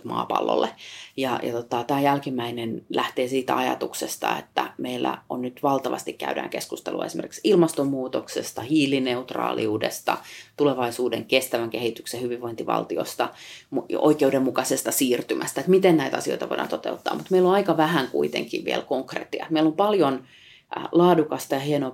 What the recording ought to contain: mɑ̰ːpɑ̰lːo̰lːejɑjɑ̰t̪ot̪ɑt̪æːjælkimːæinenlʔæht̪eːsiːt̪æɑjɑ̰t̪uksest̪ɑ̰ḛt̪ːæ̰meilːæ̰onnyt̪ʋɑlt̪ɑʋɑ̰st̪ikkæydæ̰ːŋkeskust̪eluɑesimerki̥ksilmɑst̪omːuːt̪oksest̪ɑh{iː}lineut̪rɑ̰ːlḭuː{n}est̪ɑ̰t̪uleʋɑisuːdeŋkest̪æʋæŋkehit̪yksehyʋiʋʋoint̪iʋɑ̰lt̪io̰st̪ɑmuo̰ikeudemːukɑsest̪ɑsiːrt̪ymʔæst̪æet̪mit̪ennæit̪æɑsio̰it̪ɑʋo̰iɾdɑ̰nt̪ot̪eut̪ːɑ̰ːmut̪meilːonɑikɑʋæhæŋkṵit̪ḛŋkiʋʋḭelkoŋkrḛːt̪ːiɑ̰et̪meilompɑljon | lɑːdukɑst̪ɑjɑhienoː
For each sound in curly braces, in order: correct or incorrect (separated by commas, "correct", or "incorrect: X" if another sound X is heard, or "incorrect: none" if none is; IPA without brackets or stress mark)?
correct, incorrect: d